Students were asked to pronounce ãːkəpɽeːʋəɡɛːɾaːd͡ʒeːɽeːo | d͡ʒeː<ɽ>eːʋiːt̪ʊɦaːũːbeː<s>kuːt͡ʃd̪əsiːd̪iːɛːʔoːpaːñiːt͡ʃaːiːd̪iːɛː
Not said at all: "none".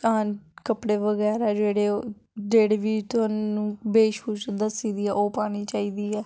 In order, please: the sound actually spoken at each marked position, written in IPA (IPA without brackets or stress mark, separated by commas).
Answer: ɽ, ʃ